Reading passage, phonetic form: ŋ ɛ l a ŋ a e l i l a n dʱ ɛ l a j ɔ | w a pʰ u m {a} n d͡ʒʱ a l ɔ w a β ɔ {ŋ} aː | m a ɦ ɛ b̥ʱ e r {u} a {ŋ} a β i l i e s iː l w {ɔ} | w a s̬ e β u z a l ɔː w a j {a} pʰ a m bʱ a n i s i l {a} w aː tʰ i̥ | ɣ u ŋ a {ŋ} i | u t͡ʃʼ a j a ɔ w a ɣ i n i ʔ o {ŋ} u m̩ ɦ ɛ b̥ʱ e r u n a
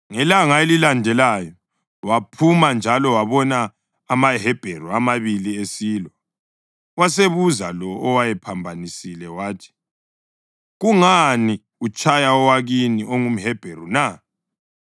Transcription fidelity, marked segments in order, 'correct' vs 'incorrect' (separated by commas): correct, incorrect, correct, incorrect, correct, incorrect, incorrect, incorrect, correct